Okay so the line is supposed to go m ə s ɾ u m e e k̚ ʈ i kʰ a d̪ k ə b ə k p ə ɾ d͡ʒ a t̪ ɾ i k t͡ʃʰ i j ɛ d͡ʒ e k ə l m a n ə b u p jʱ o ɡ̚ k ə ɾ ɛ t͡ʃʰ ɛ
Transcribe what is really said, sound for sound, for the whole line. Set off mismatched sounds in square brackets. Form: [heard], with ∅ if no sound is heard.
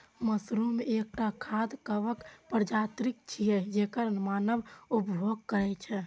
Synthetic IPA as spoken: m ə s ɾ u m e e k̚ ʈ [a] kʰ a d̪ k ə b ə k p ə ɾ d͡ʒ a t̪ ɾ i k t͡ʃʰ i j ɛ d͡ʒ e k ə [ɾ] m a n ə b u p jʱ o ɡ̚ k ə ɾ ɛ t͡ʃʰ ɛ